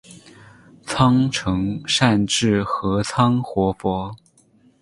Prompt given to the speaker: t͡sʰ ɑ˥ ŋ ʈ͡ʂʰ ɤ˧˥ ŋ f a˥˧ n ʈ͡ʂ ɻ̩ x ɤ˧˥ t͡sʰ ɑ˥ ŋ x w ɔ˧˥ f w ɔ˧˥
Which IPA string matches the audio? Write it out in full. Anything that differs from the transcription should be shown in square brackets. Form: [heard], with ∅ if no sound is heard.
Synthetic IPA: t͡sʰ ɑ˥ ŋ ʈ͡ʂʰ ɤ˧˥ ŋ [ʂ] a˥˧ n ʈ͡ʂ ɻ̩ x ɤ˧˥ t͡sʰ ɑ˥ ŋ x w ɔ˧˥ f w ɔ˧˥